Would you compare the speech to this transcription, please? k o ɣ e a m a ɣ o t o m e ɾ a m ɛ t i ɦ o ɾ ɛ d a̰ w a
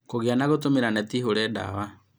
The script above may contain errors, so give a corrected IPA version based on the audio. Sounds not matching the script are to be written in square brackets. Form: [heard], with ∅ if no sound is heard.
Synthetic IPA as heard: k o ɣ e a [n] a ɣ o t o m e ɾ a [n] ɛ t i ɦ o ɾ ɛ d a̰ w a

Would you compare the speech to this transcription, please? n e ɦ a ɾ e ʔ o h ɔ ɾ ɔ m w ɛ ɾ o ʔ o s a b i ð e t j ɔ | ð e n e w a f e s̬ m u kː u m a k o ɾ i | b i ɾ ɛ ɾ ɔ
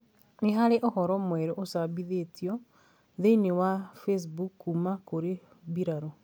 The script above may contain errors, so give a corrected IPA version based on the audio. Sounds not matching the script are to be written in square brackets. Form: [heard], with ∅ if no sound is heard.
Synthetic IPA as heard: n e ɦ a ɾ e ʔ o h ɔ ɾ ɔ m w ɛ ɾ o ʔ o s a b i ð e t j ɔ | ð e n e w a f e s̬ [b] u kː u m a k o ɾ [e] | b i ɾ [a] ɾ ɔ

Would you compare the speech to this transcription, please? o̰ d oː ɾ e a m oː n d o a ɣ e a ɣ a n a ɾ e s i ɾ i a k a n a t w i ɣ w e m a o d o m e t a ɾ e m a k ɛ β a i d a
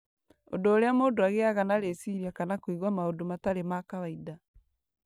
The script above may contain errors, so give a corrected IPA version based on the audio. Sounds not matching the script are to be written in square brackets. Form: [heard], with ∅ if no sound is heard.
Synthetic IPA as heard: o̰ d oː ɾ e a m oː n d o a ɣ e a ɣ a n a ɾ e s i ɾ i a k a n a [k] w i ɣ w [a] m a o d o m [a] t a ɾ e m a k [a] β a i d a

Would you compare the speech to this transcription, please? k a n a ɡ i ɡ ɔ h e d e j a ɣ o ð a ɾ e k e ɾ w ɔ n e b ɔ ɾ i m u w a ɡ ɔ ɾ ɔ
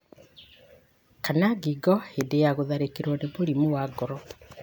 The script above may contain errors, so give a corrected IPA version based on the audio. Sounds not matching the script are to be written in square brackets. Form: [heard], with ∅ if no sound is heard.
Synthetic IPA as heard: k a n a ɡ i ɡ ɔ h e d e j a ɣ o ð a ɾ e k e ɾ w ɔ n e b [o] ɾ i m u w a ɡ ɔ ɾ ɔ

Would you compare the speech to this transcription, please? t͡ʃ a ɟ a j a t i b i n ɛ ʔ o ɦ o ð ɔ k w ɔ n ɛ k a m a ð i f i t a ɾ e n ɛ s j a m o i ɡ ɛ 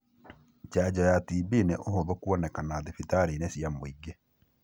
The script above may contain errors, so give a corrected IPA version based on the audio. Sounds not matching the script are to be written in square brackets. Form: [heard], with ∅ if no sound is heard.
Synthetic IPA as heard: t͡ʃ a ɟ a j a t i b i n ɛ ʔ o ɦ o ð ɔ k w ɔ n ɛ k a [n] a ð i f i t a ɾ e n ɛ s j a m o i ɡ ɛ

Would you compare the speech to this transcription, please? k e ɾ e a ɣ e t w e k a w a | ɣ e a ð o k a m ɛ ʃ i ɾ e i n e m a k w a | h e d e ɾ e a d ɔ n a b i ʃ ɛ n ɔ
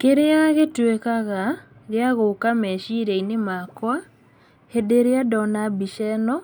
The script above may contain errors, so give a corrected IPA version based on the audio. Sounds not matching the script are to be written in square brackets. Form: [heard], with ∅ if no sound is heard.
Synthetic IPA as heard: k e ɾ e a ɣ e t w e k a [ɣ] a | ɣ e a [ɣ] o k a m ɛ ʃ i ɾ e i n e m a k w a | h e d e ɾ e a d ɔ n a b i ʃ ɛ n ɔ

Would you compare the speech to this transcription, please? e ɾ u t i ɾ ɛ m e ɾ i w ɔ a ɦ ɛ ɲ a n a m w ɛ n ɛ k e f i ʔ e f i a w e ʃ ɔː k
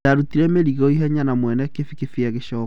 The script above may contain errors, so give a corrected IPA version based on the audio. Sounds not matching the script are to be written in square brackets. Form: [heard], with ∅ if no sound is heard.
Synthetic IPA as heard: [a] ɾ u t i ɾ ɛ m e ɾ i [ɣ] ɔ [i] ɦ ɛ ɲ a n a m w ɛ n ɛ k e f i [k] e f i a [ɣ] e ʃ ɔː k

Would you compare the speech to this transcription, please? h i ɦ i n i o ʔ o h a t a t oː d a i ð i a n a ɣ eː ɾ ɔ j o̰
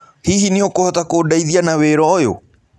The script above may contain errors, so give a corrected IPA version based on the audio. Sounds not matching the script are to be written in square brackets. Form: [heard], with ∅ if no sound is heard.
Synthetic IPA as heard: h i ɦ i n i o [k] o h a t a [k] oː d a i ð i a n a [w] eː ɾ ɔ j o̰

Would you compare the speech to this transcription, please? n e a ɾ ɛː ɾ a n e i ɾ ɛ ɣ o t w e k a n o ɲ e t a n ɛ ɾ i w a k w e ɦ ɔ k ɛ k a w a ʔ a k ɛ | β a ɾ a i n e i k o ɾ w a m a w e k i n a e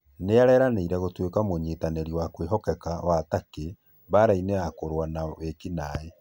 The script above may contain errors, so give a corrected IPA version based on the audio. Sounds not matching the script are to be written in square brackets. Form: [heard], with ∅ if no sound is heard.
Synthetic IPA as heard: n e a ɾ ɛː ɾ a n e i ɾ ɛ ɣ o t w e k a [m] o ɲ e t a n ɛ ɾ i w a k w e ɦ ɔ k ɛ k a w a [t] a k [e] | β a ɾ a i n e [a] k o ɾ w a [n] a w e k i n a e

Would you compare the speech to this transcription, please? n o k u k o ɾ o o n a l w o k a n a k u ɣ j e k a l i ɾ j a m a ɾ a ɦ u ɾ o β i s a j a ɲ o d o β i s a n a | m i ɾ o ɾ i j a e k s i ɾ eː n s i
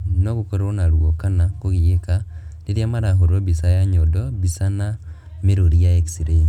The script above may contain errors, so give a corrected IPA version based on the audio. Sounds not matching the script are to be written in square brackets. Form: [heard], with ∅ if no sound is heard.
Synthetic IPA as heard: n o k u k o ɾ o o n a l w o k a n a k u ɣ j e k a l i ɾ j a m a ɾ a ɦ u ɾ o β i s a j a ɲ o d o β i s a n a | m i ɾ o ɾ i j a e k s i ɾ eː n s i

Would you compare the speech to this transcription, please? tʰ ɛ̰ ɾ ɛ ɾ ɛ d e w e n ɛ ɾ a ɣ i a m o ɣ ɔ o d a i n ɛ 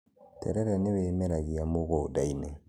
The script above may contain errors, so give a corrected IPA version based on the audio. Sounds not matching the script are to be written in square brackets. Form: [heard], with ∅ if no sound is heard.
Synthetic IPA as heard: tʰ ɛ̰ ɾ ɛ ɾ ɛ [n] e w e [m] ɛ ɾ a ɣ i a m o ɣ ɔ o d a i n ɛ

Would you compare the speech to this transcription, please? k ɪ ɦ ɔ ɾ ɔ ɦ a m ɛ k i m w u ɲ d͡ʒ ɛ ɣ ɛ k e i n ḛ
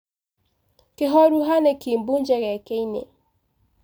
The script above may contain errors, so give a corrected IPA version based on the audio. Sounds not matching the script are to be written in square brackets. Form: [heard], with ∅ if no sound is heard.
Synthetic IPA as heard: k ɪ ɦ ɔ ɾ [u] ɦ a [n] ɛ k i m [b] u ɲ d͡ʒ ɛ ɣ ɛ k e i n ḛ

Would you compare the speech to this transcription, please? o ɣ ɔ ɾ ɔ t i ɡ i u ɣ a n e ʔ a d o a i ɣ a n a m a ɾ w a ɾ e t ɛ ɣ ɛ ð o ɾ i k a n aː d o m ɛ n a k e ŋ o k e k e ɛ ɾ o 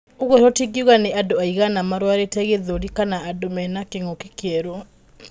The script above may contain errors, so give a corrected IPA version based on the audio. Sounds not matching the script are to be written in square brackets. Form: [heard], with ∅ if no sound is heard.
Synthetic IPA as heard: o ɣ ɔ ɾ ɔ t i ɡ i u ɣ a n e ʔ a d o a i ɣ a n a m a ɾ w a ɾ e t ɛ ɣ [e] ð o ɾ i k a n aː d o m ɛ n a k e ŋ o k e k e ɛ ɾ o

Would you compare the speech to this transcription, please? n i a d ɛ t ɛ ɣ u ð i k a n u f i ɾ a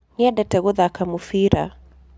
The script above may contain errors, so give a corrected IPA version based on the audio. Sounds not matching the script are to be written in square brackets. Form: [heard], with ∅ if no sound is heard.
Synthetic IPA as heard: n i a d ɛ t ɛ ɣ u ð [a] k a [m] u f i ɾ a

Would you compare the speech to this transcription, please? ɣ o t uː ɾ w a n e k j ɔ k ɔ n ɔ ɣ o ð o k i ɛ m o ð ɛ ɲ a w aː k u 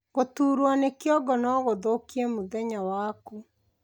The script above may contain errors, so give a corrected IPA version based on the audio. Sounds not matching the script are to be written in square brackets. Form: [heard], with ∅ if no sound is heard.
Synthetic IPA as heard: ɣ o t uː ɾ w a n e k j ɔ [ɡ] ɔ n ɔ ɣ o ð o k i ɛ m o ð ɛ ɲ a w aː k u

